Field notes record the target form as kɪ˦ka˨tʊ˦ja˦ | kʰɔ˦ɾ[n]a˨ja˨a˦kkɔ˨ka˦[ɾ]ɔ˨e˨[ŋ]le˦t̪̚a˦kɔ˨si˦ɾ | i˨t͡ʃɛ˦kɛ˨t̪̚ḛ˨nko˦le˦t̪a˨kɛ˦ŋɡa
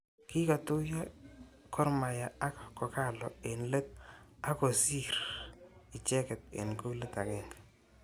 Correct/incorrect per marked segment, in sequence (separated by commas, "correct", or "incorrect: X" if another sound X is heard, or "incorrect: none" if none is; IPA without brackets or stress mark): incorrect: m, incorrect: l, incorrect: n